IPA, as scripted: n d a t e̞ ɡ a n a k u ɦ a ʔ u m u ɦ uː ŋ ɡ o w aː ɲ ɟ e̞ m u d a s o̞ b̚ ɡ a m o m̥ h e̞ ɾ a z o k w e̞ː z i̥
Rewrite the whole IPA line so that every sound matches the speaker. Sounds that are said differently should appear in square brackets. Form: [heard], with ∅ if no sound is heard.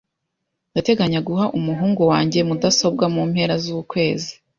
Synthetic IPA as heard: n d a t e̞ ɡ a [ɲ] a [ɡ] u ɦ a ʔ u m u ɦ uː ŋ ɡ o w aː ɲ ɟ e̞ m u d a s o̞ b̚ ɡ a m [u] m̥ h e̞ ɾ a z [u] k w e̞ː z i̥